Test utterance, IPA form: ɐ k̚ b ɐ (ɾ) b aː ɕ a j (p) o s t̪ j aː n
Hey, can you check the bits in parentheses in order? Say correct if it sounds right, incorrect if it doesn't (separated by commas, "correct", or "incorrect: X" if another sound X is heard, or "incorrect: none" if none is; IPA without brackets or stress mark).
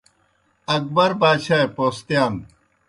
correct, correct